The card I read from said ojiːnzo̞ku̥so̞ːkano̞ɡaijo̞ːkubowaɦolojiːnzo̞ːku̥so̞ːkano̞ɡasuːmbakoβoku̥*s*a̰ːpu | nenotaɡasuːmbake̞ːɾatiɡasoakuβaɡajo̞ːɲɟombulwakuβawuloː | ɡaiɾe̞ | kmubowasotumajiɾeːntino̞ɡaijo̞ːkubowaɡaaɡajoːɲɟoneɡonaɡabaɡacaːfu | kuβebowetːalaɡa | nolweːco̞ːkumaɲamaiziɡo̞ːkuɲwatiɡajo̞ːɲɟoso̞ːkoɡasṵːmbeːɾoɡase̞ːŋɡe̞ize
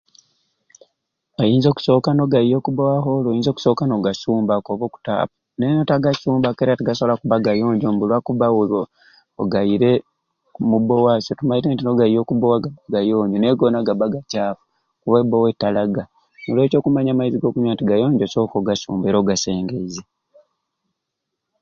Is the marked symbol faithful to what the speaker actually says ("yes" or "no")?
no